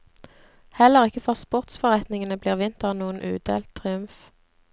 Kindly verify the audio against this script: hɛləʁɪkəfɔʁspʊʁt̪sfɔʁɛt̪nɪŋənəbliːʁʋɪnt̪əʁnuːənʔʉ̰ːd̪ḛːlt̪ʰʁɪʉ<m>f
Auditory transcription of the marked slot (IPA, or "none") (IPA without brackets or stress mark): m